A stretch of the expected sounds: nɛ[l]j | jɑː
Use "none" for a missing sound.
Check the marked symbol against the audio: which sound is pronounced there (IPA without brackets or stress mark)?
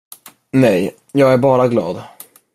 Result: none